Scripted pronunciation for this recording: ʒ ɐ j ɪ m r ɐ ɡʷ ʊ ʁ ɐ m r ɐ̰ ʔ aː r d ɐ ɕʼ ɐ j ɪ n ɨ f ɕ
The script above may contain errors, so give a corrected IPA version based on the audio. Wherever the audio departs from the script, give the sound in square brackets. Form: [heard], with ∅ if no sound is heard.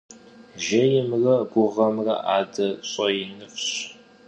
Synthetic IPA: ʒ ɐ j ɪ m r ɐ ɡʷ ʊ ʁ ɐ m r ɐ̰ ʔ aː [∅] d ɐ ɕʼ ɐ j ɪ n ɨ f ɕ